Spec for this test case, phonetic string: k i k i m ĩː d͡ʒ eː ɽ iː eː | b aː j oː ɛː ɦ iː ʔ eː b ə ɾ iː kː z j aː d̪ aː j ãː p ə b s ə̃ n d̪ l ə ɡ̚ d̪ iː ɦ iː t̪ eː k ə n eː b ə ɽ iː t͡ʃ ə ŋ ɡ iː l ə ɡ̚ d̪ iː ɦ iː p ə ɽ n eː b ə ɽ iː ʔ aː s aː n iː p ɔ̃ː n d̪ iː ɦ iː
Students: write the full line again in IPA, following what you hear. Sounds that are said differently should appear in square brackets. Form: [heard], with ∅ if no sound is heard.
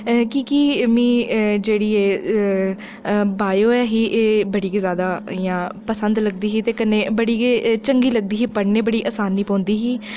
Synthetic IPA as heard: k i k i m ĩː d͡ʒ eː ɽ iː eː | b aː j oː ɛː ɦ iː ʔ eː b ə [ɽ] iː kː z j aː d̪ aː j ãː p ə [∅] s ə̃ n d̪ l ə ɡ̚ d̪ iː ɦ iː t̪ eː k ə n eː b ə ɽ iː t͡ʃ ə ŋ ɡ iː l ə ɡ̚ d̪ iː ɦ iː p ə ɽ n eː b ə ɽ iː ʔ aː s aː n iː p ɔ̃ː n d̪ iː ɦ iː